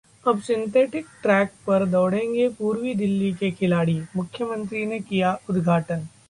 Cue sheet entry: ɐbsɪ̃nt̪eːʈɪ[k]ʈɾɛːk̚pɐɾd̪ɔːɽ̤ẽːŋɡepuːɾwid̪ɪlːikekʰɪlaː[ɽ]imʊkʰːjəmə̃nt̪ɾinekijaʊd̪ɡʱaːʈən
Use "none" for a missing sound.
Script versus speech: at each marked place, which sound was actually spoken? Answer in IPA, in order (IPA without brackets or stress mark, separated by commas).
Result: k, ɽ